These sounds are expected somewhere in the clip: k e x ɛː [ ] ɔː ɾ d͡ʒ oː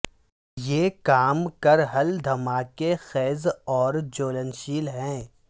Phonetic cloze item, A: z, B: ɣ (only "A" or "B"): A